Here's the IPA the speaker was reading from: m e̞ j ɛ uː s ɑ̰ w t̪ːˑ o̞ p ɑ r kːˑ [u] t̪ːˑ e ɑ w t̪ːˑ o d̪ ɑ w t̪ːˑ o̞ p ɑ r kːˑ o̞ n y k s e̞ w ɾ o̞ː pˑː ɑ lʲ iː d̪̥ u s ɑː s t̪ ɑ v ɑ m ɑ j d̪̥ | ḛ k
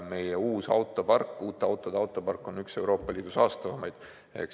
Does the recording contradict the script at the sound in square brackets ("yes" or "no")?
yes